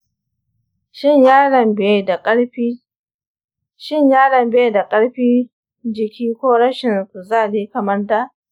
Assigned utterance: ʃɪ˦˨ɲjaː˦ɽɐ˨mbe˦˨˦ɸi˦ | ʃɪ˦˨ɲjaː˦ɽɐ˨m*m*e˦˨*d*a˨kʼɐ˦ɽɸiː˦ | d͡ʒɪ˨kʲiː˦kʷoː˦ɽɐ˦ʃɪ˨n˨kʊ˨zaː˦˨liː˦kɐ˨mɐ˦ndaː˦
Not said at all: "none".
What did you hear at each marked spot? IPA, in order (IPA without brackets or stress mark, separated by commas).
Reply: b, d